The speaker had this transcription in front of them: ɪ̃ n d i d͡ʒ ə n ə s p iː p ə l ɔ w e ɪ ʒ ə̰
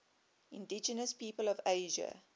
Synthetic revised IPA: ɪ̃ n d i d͡ʒ ə n ə s p iː p ə l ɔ v e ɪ ʒ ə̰